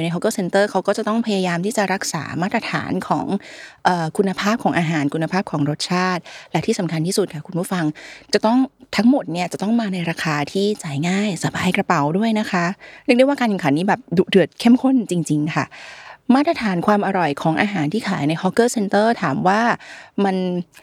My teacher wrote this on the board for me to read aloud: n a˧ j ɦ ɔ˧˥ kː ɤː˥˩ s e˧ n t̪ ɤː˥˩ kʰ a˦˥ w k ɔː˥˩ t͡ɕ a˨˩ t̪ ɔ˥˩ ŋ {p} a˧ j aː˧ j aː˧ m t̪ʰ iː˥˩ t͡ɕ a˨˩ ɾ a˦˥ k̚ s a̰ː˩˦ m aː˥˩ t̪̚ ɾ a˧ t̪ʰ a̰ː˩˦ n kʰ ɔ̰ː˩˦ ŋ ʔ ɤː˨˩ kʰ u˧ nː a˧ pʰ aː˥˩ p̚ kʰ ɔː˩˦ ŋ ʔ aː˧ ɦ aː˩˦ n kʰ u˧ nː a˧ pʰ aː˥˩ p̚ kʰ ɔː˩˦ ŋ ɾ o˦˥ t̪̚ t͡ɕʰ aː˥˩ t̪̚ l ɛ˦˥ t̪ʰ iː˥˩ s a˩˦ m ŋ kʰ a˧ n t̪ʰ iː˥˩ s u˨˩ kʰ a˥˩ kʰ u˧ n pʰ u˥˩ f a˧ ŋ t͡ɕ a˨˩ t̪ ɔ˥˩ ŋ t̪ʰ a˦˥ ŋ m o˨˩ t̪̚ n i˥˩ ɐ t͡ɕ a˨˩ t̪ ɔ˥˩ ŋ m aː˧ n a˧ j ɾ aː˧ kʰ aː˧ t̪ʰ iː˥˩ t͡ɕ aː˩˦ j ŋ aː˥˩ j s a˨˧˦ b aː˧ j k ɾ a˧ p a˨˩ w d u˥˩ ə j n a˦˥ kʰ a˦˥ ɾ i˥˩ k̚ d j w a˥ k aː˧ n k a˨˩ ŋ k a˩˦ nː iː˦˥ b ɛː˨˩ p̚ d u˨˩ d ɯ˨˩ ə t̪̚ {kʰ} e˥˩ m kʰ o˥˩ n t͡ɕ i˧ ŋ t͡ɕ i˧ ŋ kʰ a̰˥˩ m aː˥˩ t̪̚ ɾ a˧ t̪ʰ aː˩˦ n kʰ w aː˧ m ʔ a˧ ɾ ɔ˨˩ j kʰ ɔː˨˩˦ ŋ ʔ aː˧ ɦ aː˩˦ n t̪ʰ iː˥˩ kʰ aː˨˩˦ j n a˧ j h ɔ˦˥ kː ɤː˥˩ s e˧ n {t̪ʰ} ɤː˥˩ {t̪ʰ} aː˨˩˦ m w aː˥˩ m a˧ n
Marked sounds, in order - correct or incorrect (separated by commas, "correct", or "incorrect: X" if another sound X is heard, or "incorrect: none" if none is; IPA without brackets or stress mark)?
incorrect: pʰ, correct, incorrect: t̪, correct